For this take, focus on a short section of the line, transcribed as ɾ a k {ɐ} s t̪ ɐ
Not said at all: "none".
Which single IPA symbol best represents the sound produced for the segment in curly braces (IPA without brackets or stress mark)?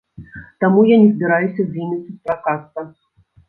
a